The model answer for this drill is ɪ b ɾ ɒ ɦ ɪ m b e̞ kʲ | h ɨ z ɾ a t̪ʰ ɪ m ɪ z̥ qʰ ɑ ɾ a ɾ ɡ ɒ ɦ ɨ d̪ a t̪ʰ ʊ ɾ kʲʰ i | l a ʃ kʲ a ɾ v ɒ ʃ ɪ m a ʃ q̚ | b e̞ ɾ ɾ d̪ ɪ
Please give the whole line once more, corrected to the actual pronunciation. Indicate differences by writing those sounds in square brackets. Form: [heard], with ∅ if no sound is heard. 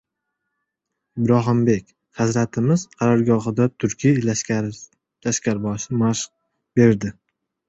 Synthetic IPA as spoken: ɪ b ɾ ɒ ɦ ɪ m b e̞ kʲ | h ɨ z ɾ a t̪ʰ ɪ m ɪ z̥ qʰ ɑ ɾ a ɾ ɡ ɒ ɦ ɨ d̪ a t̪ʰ ʊ ɾ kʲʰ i | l a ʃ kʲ a ɾ [b] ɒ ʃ ɪ m a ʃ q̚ | b e̞ ɾ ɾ d̪ ɪ